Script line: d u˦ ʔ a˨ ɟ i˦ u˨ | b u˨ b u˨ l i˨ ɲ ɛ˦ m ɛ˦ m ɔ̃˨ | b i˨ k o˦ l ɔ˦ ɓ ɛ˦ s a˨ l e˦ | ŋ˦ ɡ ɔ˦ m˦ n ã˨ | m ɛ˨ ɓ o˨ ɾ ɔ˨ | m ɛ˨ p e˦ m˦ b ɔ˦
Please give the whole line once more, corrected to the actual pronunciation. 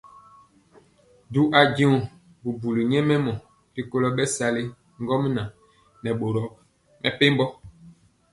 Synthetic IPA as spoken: d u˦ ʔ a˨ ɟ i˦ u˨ | b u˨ b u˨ l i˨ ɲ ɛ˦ m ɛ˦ m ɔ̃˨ | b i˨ k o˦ l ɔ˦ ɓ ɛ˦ s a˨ l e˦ | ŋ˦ ɡ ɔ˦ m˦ n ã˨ | n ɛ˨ ɓ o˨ ɾ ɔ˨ | m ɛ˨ p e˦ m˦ b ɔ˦